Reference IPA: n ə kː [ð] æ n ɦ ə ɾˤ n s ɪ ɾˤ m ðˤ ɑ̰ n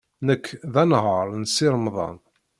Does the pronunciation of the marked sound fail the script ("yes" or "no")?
no